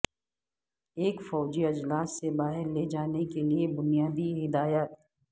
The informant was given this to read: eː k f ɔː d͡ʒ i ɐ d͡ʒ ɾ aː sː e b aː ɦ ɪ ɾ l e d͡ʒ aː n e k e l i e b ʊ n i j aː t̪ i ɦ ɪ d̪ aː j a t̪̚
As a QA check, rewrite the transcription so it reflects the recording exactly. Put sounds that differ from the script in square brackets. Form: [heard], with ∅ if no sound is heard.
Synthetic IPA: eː k f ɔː d͡ʒ i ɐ d͡ʒ [l] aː sː e b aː ɦ ɪ ɾ l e d͡ʒ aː n e k e l i e b ʊ n i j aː [d̪] i ɦ ɪ d̪ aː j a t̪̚